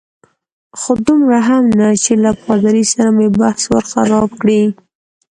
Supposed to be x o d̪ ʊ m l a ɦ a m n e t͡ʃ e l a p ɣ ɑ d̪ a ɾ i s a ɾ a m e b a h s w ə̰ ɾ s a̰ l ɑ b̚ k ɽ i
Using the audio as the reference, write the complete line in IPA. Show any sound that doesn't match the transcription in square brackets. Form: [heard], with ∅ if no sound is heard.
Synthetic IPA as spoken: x o d̪ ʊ m [ɾ] a ɦ a m n [a] t͡ʃ e l a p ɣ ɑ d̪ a ɾ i s a ɾ a m e b a h s w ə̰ ɾ [x] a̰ [ɾ] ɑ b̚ k ɽ i